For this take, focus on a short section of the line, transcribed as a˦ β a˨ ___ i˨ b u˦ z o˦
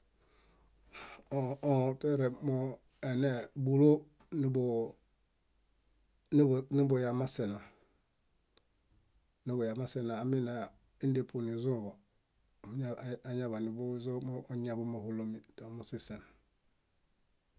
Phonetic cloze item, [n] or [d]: n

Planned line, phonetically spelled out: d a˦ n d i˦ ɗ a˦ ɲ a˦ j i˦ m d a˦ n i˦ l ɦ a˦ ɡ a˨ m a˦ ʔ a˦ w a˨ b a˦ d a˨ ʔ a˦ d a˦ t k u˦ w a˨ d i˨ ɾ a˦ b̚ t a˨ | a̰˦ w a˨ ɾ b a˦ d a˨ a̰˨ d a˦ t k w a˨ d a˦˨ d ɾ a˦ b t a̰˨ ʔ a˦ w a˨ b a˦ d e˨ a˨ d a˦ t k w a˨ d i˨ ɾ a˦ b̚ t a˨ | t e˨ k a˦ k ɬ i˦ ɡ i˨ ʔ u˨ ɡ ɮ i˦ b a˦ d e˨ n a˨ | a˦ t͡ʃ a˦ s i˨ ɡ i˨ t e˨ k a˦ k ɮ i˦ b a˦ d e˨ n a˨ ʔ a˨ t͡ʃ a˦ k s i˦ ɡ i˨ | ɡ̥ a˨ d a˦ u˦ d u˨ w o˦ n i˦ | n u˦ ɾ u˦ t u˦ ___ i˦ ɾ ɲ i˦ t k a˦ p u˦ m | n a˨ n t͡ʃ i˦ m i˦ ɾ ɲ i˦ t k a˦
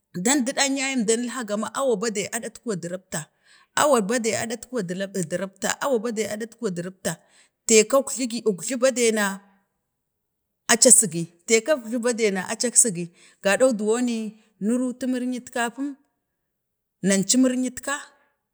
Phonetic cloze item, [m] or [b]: m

